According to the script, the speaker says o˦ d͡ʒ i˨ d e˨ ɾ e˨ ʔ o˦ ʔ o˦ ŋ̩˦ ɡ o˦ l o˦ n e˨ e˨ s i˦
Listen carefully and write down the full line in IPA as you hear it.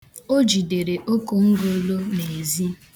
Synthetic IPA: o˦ d͡ʒ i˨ d e˨ ɾ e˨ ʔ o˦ k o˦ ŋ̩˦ ɡ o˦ l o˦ n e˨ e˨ z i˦